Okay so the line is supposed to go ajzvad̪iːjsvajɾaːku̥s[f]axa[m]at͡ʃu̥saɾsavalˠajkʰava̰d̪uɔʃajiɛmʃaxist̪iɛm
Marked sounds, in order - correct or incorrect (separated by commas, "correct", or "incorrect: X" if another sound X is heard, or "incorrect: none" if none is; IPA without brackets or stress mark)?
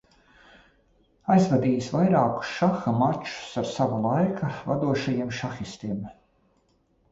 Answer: incorrect: ʃ, correct